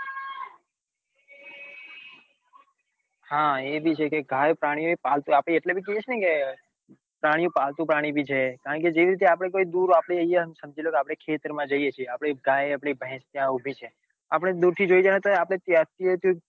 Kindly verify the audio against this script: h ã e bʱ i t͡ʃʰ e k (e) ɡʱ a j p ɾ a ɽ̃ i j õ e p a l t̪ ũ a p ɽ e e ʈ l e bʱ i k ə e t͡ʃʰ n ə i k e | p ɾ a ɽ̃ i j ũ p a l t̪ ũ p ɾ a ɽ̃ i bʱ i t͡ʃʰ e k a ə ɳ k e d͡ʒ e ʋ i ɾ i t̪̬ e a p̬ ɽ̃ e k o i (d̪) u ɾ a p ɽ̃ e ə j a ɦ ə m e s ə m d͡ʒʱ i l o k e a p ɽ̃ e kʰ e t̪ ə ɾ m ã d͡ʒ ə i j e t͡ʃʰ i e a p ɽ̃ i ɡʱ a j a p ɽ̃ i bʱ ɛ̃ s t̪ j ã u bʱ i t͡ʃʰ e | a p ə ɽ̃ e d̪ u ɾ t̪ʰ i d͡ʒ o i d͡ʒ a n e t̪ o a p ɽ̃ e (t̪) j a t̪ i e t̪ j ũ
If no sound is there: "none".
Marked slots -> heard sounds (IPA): e, d̪, t̪

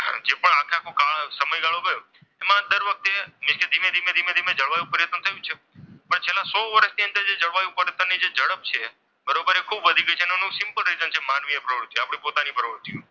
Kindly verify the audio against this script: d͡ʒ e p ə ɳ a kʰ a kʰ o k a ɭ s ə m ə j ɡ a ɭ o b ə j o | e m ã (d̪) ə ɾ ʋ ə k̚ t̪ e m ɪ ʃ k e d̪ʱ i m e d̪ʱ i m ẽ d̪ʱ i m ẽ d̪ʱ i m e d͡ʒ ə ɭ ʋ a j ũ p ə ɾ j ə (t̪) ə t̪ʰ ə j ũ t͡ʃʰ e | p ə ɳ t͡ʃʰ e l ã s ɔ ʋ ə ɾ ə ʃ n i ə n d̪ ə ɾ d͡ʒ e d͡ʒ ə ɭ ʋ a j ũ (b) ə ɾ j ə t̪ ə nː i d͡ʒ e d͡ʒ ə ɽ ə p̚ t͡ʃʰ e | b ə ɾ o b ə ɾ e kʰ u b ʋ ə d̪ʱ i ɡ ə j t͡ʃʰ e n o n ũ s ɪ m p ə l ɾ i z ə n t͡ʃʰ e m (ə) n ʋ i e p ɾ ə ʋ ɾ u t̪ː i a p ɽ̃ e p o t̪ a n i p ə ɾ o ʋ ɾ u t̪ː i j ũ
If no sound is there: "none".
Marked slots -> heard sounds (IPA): d̪, t̪, p, a

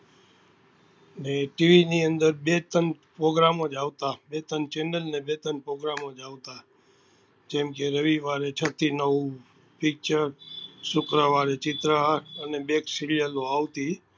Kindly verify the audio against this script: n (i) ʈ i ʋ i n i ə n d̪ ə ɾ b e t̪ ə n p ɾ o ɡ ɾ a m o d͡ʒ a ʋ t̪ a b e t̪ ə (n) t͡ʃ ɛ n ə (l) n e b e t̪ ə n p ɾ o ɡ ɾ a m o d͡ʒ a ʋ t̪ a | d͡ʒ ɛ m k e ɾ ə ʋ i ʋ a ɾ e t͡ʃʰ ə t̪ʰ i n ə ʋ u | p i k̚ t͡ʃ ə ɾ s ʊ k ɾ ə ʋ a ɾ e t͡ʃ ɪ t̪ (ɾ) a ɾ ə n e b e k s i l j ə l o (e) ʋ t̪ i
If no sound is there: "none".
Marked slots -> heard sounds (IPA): e, n, l, ɾ, a

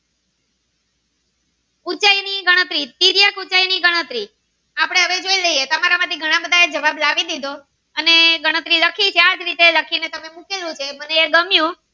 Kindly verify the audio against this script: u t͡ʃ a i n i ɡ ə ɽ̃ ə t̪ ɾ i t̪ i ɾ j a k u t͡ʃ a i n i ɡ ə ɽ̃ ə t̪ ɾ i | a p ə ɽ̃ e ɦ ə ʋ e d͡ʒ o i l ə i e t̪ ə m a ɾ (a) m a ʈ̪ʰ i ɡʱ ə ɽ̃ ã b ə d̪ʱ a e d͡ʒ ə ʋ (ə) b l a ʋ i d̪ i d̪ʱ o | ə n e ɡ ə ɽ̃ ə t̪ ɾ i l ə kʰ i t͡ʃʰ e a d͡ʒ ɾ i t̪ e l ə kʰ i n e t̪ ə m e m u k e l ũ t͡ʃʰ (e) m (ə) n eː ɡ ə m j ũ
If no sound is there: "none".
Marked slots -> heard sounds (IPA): a, a, e, ə

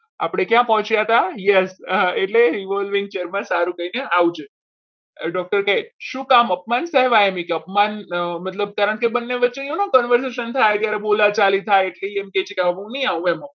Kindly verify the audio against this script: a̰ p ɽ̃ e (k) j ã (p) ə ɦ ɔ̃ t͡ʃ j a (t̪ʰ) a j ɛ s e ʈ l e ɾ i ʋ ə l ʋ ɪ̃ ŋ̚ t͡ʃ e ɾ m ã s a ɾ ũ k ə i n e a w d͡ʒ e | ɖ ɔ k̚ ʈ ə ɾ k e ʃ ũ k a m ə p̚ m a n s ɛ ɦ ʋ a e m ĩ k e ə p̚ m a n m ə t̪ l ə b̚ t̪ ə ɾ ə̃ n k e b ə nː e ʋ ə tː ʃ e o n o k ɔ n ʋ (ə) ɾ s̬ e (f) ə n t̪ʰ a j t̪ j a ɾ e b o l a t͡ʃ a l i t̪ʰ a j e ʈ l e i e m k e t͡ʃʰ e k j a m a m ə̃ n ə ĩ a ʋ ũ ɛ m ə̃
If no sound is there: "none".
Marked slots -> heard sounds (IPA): k, p, t̪, ə, ʃ

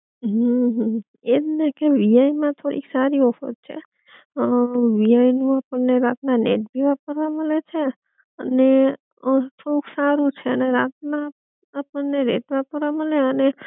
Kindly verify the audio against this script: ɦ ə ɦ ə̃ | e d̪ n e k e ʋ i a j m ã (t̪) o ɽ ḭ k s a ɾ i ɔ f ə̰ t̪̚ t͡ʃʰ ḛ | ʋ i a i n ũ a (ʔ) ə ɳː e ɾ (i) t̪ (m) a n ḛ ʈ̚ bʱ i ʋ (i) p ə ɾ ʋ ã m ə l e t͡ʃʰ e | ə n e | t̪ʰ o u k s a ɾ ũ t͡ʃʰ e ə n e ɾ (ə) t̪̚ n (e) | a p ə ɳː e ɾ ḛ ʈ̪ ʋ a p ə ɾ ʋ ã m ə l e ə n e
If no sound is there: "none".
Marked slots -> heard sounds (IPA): t̪ʰ, p, a, n, a, a, a

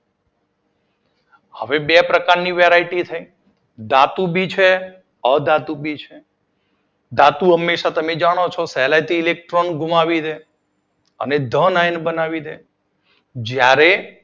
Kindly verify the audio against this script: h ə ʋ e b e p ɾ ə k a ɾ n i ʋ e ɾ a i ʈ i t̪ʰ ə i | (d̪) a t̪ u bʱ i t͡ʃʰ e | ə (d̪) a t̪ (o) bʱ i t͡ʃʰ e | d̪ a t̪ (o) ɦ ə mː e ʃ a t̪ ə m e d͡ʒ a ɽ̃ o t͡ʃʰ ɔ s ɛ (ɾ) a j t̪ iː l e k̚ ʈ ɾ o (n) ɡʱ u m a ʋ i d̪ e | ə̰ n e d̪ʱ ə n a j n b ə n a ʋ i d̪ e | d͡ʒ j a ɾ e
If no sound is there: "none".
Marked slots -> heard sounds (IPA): d̪, d̪, u, u, l, n

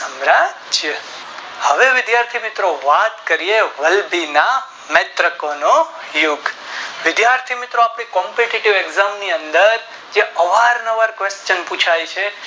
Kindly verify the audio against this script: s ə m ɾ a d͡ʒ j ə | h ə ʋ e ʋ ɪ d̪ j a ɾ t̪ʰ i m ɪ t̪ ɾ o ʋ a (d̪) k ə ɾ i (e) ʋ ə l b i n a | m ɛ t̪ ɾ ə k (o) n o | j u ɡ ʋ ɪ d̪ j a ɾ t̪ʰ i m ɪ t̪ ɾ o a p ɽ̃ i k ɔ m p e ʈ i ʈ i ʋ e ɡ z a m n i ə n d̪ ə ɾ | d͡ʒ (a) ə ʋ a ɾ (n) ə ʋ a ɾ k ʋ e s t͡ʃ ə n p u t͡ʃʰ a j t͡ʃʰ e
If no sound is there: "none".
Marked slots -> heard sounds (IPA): t̪, e, o, e, n

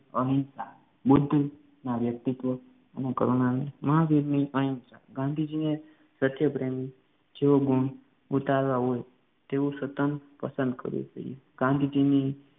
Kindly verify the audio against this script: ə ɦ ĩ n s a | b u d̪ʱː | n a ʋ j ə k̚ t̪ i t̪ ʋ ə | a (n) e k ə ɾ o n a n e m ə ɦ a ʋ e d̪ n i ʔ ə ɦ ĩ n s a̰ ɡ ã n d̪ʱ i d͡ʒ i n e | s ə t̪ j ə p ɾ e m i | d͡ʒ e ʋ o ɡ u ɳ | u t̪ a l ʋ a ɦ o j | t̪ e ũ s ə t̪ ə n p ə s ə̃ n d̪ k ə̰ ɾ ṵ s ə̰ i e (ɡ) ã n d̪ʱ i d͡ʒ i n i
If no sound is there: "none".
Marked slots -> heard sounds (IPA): n, ɡ

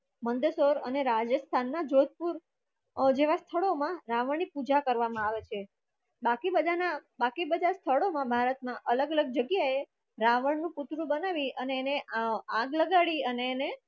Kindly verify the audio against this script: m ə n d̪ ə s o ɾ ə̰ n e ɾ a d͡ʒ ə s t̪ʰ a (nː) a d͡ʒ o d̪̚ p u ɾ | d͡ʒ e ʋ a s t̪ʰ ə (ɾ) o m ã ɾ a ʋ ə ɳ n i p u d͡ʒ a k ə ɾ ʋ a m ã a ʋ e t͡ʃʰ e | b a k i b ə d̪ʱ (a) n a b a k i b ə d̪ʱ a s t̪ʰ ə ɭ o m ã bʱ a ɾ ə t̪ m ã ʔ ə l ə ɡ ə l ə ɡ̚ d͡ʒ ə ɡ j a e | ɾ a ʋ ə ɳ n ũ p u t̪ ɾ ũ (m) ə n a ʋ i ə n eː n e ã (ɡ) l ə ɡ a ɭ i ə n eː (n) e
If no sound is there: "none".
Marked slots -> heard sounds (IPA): nː, ɭ, a, b, ɡ, n

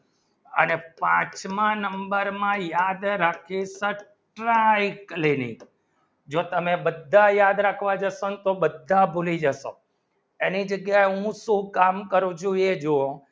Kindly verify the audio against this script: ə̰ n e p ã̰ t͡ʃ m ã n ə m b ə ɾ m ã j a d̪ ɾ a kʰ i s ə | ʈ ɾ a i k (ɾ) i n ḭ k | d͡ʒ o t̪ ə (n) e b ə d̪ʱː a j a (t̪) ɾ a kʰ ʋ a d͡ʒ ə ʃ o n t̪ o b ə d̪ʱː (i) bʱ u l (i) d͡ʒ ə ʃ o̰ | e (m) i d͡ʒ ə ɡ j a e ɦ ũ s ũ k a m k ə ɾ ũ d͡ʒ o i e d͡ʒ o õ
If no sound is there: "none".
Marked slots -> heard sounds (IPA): l, m, d̪, a, i, n

